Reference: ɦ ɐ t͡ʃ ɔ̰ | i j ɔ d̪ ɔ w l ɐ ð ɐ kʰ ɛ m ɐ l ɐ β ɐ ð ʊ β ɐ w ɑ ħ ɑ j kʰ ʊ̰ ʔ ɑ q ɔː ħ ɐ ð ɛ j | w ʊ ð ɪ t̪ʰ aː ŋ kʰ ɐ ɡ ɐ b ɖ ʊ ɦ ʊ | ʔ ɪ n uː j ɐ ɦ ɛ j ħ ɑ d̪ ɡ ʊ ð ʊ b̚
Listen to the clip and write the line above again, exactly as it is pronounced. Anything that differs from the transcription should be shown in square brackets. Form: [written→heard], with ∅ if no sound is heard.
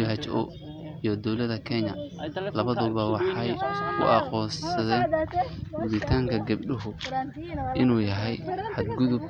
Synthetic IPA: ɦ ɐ t͡ʃ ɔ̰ | i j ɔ d̪ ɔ w l ɐ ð ɐ kʰ ɛ [m→ɲ] ɐ l ɐ β ɐ ð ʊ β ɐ w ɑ ħ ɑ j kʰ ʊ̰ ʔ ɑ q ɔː [ħ→s] ɐ ð ɛ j | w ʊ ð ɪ t̪ʰ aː ŋ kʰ ɐ ɡ ɐ b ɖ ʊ ɦ ʊ | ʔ ɪ n uː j ɐ ɦ ɛ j ħ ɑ d̪ ɡ ʊ ð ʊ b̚